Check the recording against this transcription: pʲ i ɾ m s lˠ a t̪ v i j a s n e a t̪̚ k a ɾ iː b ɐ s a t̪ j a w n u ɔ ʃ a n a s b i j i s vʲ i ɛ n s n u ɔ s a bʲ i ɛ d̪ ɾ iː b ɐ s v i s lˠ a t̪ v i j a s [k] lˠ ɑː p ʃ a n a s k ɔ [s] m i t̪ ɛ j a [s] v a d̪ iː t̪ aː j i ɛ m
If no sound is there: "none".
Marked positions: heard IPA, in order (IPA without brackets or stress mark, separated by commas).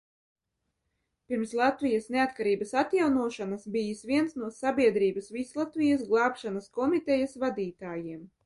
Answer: ɡ, none, s